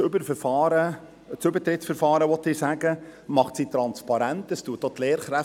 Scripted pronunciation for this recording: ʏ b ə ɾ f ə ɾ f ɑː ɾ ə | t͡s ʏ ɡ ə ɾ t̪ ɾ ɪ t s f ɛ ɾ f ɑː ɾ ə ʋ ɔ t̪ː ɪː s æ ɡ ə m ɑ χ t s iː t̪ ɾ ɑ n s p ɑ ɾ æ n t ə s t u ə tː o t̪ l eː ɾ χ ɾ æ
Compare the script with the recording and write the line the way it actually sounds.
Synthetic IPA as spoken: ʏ b ə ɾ f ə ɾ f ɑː ɾ ə | t͡s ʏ b ə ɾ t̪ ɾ ɪ t s f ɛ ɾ f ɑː ɾ ə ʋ ɔ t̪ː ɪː s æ ɡ ə m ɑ χ t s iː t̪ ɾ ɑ n s p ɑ ɾ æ n t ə s t u ə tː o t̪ l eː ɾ χ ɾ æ